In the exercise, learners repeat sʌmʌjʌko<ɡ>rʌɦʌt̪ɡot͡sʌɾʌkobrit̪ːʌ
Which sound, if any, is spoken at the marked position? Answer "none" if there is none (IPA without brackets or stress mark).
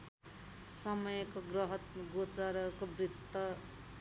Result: ɡ